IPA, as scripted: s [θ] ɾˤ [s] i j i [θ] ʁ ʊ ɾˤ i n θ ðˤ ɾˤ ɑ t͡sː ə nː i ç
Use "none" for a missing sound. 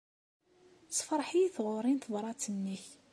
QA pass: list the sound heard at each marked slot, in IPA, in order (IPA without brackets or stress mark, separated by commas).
f, ħ, θ